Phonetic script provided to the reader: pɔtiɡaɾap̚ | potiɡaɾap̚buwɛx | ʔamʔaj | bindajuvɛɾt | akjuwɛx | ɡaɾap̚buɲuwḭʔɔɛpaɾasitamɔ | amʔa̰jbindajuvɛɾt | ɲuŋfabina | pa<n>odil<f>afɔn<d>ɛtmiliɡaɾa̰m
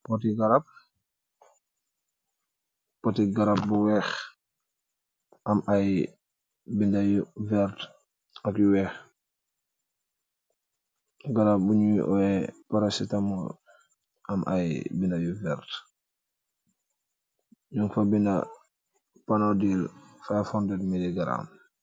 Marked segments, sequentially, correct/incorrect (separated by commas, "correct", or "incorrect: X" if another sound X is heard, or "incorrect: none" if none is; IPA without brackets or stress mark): correct, correct, correct